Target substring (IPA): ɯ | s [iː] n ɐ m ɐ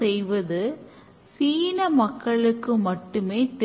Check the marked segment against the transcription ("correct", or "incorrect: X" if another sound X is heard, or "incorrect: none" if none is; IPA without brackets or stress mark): correct